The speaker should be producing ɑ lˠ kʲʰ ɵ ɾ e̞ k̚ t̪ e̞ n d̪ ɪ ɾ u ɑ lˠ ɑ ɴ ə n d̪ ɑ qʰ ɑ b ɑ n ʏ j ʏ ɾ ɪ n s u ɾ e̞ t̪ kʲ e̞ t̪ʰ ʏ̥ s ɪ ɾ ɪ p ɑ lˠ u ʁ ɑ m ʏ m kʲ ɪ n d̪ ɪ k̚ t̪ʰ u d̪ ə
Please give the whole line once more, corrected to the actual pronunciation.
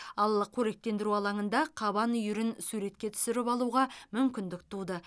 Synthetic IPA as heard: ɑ lˠ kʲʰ ɵ ɾ e̞ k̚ t̪ e̞ n d̪ ɪ ɾ u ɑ lˠ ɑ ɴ ə n d̪ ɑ qʰ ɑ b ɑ n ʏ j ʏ ɾ ɪ n s u ɾ e̞ t̪ kʲ e̞ t̪ʰ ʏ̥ s ɪ ɾ ɪ p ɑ lˠ u ʁ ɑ m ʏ m kʲ ɪ n d̪ ɪ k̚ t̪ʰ u d̪ ə